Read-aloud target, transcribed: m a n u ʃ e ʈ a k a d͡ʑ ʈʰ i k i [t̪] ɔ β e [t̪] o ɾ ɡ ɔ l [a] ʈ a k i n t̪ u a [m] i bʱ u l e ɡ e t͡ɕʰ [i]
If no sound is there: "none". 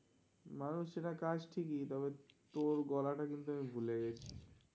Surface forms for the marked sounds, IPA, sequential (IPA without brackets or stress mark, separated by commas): t̪, t̪, a, m, i